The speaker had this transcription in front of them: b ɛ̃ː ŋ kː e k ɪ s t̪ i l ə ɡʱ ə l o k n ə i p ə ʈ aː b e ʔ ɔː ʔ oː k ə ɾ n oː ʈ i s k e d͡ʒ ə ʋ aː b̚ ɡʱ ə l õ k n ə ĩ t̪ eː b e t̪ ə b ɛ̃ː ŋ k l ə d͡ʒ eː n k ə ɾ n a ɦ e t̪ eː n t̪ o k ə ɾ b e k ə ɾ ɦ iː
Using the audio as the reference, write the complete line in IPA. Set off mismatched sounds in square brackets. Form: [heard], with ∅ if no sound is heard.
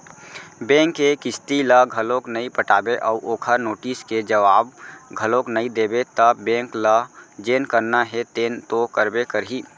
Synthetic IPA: b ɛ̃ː ŋ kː e k ɪ s t̪ i l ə ɡʱ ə l o k n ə i p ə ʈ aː b e ʔ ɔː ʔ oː [kʰ] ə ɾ n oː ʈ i s k e d͡ʒ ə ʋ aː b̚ ɡʱ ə l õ k n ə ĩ [d̪] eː b e t̪ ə b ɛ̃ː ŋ k l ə d͡ʒ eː n k ə ɾ n a ɦ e t̪ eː n t̪ o k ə ɾ b e k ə ɾ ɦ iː